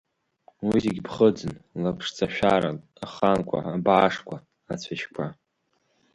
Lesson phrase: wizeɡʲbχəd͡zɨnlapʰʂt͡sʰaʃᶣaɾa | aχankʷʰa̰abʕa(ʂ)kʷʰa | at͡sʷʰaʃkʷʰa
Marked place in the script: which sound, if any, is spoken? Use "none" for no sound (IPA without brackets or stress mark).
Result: ʂ